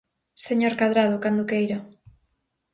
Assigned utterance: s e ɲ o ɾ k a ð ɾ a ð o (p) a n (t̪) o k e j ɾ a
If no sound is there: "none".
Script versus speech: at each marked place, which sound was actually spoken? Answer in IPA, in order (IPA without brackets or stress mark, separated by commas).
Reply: k, d̪